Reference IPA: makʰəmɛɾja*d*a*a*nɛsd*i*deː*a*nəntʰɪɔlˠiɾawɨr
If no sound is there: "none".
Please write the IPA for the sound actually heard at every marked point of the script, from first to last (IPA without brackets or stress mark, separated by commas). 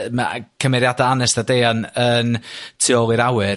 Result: d, a, a, a